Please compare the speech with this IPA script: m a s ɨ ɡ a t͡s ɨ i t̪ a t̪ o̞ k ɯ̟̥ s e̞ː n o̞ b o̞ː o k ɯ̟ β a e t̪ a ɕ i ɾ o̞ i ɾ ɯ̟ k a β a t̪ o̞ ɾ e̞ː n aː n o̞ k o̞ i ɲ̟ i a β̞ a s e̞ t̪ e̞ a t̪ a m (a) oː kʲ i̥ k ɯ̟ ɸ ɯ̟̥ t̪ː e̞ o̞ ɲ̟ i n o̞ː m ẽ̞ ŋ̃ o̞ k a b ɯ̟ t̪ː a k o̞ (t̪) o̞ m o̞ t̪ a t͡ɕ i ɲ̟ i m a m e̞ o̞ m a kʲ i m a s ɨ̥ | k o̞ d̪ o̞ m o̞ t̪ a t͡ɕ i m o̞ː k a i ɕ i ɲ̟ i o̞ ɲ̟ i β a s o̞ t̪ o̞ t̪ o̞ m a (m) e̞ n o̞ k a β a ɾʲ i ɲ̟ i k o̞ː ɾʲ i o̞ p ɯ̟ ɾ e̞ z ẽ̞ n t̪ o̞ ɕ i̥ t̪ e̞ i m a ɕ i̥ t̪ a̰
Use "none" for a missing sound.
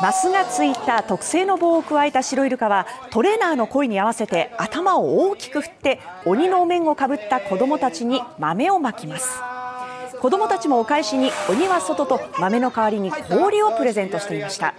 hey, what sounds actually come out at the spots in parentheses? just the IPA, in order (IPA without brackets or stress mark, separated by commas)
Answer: a, d̪, m